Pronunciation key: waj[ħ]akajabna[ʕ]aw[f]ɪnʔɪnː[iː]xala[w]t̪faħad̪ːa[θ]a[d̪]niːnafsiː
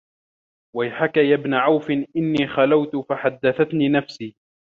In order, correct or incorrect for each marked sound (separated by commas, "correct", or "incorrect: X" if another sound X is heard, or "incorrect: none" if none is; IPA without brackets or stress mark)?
correct, correct, correct, correct, correct, correct, incorrect: t̪